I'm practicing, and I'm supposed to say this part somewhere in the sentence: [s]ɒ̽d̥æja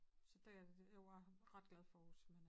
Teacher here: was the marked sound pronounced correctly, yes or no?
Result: yes